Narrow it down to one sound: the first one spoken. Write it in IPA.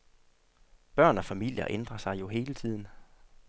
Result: b̥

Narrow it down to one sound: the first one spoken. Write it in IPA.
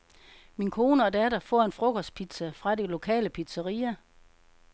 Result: m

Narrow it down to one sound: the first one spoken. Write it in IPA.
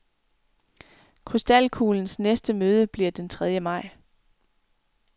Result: kʰ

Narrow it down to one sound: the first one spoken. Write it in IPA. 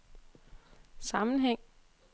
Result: s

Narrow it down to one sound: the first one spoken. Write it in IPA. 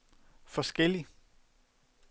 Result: f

